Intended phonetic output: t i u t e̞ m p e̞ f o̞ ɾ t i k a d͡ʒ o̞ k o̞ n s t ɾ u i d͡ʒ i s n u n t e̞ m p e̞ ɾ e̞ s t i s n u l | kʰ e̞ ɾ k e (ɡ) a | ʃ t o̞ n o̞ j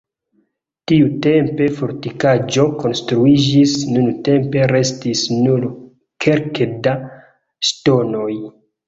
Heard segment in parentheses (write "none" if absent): d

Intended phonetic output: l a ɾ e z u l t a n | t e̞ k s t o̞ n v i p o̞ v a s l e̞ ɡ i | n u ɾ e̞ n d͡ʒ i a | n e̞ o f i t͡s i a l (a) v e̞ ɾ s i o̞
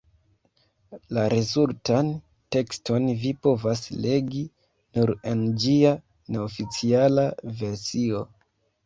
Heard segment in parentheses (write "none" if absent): a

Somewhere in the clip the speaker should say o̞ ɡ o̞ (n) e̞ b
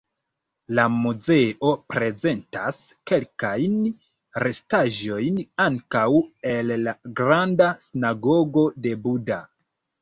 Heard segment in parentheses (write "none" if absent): d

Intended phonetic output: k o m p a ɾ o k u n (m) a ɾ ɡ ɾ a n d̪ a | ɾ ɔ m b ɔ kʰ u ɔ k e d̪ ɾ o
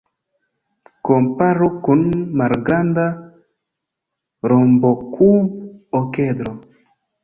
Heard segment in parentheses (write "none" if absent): m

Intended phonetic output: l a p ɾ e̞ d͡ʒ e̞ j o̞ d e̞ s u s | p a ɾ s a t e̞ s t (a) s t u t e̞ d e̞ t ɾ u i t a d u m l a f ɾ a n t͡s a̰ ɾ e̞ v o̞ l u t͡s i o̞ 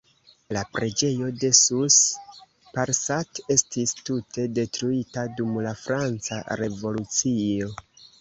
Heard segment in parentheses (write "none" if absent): i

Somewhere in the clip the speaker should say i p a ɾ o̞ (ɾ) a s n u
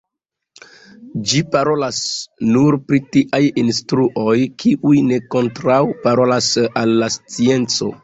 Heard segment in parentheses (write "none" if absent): l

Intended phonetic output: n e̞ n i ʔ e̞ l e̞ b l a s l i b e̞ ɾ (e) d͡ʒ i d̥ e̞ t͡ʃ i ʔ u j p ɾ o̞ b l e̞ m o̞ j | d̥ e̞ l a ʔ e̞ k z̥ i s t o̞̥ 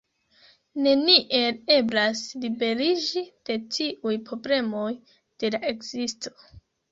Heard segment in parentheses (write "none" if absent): i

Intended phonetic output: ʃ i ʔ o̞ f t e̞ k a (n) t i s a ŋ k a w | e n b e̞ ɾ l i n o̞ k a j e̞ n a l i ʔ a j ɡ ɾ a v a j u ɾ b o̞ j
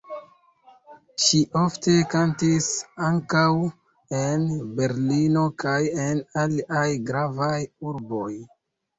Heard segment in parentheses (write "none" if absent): n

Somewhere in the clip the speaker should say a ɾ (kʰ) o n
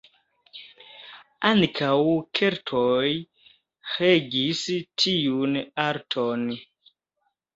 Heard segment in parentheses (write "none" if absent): tʰ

